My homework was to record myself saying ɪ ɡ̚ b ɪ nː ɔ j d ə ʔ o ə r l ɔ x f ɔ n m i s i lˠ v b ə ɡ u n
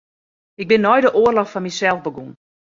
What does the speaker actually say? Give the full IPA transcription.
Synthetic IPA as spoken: ɪ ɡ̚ b ɪ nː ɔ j d ə ʔ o ə r l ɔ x f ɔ n m i s ɛ lˠ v b ə ɡ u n